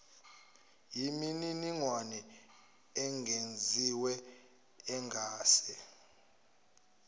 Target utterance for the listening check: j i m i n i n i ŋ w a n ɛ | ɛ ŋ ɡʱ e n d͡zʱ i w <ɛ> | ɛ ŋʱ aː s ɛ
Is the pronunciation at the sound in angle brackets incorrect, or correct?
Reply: correct